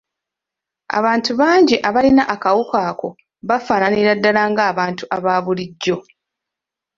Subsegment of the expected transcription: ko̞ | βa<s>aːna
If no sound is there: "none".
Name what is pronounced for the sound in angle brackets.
f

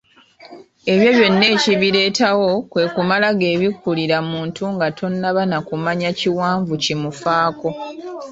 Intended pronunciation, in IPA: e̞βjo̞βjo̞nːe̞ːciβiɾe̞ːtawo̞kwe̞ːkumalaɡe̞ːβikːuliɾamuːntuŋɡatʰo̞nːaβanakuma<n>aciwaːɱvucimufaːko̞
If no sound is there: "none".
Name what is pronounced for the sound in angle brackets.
ɲ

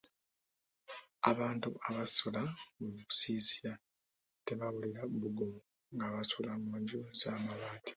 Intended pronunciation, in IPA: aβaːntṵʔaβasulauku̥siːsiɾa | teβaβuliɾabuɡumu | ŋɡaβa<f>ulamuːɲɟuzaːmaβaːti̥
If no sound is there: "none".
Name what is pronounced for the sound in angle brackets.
s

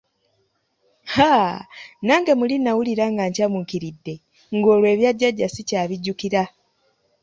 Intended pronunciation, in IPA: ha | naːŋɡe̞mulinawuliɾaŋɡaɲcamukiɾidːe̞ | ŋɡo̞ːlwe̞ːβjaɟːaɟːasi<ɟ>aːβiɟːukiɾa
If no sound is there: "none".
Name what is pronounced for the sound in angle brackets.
c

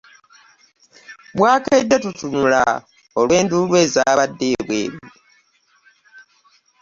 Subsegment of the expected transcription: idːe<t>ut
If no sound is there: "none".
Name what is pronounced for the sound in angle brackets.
t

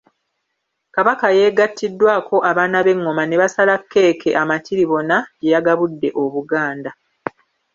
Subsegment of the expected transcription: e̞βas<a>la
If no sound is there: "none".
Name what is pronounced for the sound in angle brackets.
a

